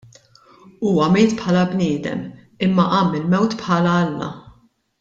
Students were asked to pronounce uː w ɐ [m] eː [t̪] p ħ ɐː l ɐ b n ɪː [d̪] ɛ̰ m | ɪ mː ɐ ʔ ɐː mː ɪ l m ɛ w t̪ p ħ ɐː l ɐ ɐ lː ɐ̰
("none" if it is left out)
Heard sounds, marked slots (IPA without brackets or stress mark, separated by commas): m, t̪, d̪